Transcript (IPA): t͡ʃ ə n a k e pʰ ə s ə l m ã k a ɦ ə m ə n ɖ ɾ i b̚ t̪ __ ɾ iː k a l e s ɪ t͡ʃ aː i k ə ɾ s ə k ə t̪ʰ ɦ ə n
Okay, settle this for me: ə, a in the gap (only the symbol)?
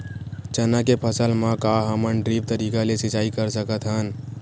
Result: ə